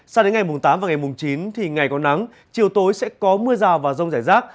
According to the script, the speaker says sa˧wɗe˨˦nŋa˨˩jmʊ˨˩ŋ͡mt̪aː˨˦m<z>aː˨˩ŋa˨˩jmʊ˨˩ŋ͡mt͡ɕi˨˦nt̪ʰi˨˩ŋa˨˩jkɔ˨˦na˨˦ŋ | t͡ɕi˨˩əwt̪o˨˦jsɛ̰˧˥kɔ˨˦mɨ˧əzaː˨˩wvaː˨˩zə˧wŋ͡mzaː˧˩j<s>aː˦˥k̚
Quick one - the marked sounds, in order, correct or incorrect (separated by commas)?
incorrect, incorrect